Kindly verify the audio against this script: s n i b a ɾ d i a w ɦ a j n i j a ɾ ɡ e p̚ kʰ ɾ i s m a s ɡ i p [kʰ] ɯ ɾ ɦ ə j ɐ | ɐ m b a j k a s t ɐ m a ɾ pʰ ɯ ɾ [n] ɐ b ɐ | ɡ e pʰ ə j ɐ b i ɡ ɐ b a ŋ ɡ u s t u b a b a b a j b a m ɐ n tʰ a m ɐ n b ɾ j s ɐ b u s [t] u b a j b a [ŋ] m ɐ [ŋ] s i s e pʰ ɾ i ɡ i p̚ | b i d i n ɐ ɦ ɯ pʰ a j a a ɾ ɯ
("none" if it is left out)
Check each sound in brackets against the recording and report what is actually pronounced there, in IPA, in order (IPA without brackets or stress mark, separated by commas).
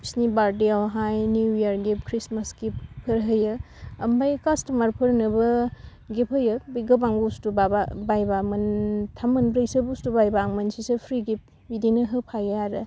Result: pʰ, n, t, ŋ, n